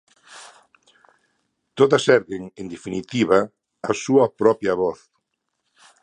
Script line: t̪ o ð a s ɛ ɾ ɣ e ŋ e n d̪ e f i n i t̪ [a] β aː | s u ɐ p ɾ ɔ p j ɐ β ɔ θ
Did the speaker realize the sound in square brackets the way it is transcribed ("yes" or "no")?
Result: no